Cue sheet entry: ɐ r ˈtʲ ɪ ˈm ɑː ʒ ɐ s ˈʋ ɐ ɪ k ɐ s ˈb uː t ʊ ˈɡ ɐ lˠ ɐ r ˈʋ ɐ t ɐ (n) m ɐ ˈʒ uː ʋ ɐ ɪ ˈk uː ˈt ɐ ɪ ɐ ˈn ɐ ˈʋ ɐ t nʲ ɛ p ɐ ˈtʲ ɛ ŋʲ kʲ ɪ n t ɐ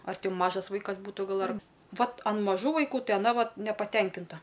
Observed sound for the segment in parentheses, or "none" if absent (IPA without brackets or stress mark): n